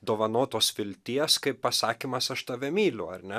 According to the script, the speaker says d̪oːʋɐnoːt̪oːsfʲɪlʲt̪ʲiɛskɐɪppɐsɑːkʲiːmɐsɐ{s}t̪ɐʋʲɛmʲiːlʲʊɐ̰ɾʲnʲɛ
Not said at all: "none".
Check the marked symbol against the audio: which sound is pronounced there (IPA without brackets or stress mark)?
ʃ